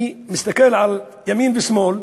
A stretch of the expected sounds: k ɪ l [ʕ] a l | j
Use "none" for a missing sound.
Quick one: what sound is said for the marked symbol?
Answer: ʕ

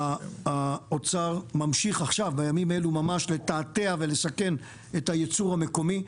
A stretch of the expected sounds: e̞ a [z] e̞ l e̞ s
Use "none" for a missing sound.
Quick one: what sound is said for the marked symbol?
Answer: v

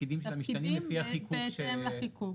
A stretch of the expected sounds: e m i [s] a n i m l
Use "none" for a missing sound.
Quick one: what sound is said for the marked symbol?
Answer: ʃ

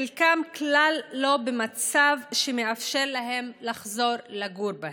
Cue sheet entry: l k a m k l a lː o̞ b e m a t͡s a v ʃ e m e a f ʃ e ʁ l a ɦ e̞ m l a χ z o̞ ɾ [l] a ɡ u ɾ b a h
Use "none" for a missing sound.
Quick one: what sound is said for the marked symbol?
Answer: l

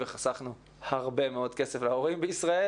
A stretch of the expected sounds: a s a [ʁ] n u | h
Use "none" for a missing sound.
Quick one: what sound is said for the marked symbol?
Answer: χ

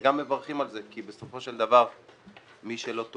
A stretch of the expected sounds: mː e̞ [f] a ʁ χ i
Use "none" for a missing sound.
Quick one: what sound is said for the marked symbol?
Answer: v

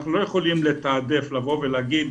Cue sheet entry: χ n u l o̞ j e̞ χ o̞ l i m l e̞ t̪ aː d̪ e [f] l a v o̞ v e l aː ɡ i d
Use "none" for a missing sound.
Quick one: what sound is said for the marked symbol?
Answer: f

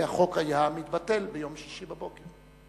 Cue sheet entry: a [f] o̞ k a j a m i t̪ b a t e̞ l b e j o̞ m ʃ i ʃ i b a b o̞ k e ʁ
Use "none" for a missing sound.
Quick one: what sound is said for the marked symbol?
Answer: χ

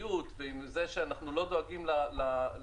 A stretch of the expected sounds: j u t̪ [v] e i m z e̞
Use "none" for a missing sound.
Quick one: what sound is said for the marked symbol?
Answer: v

